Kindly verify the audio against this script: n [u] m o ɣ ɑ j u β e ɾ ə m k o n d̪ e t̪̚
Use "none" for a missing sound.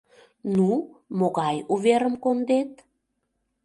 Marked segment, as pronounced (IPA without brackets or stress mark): u